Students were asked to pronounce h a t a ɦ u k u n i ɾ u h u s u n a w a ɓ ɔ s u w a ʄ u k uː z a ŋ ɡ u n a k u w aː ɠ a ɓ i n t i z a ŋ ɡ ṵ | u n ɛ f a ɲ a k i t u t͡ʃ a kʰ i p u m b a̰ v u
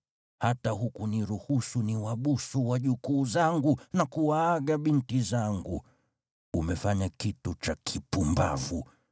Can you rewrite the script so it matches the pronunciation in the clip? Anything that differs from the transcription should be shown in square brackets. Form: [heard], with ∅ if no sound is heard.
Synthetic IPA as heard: h a t a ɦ u k u n i ɾ u h u s u n [i] w a ɓ [u] s u w a ʄ u k uː z a ŋ ɡ u n a k u w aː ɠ a ɓ i n t i z a ŋ ɡ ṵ | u [m] ɛ f a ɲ a k i t u t͡ʃ a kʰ i p u m b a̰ v u